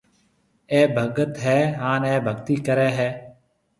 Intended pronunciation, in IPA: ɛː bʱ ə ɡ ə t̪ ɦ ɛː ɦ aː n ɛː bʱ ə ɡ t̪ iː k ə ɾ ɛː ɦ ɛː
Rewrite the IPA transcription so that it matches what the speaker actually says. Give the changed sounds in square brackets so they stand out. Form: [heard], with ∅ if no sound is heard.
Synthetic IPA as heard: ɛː bʱ ə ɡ ə t̪ ɦ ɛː ɦ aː n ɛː bʱ ə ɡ t̪ iː k ə ɾ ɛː ɦ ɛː